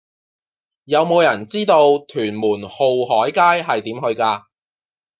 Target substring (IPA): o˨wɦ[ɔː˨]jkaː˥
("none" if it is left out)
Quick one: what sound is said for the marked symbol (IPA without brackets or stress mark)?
ɔː˨˥